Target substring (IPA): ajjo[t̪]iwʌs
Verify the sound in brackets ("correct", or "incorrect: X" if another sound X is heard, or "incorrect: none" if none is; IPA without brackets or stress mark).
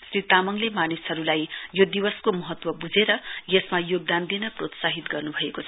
incorrect: d̪